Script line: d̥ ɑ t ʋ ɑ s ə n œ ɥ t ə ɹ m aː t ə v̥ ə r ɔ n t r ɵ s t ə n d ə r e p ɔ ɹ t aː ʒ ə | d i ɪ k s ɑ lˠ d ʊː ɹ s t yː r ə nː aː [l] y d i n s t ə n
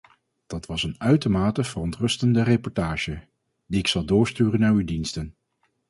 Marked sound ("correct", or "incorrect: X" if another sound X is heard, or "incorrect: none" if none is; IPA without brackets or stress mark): incorrect: ɹ